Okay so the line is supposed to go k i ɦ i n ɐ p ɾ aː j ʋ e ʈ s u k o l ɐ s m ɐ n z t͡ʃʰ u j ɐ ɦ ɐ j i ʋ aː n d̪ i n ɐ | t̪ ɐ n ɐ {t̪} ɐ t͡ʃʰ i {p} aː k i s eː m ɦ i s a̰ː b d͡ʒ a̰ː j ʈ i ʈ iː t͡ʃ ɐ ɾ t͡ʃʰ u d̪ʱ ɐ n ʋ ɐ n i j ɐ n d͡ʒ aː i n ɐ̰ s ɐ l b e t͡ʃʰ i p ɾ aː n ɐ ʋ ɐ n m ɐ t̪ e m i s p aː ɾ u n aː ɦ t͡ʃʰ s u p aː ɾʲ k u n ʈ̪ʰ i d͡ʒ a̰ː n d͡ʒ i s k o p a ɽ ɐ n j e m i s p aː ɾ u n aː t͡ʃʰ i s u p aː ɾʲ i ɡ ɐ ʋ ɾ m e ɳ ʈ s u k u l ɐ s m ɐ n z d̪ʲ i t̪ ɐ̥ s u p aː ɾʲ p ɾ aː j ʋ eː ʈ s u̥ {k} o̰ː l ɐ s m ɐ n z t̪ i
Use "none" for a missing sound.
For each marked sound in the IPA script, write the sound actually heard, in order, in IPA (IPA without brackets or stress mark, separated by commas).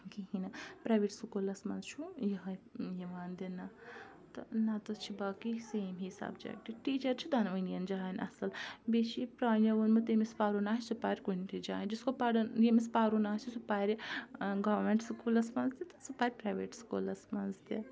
t̪, b, k